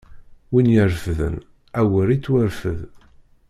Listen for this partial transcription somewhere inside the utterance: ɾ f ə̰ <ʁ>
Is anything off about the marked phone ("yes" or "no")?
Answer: yes